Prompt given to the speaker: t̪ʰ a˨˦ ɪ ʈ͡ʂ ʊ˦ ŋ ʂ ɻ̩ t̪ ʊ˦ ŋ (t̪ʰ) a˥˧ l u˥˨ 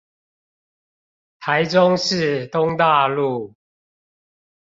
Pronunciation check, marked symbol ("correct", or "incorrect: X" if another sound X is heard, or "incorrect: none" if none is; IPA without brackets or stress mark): incorrect: t̪